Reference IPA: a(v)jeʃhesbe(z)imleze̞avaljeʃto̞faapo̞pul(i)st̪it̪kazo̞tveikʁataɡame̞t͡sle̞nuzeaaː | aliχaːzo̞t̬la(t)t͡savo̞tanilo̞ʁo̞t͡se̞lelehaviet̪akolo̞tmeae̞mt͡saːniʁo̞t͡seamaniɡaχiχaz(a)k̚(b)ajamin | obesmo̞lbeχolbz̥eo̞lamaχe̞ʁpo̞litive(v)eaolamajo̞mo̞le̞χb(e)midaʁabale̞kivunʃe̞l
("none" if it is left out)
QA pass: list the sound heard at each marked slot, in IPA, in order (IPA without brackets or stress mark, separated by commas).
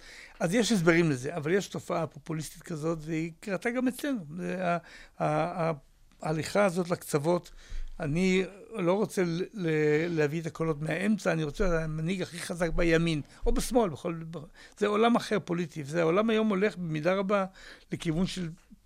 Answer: z, ʁ, i, k, a, b, z, e